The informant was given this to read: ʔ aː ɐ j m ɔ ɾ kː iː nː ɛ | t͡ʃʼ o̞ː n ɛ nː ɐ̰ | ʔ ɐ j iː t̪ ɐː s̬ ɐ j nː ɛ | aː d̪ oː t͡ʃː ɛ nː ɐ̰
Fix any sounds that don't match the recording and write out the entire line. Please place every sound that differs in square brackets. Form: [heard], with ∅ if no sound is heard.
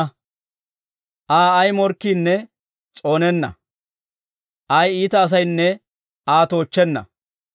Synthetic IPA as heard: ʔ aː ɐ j m ɔ ɾ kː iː nː ɛ | t͡ʃʼ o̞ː n ɛ nː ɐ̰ | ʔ ɐ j iː t̪ ɐː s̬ ɐ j nː ɛ | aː [t̪] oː t͡ʃː ɛ nː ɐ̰